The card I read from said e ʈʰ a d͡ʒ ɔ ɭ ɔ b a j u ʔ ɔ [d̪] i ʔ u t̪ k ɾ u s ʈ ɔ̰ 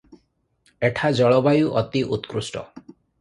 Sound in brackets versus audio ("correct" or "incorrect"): incorrect